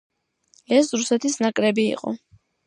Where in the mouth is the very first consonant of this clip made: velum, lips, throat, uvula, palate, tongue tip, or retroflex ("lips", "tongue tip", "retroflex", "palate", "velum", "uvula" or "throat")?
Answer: tongue tip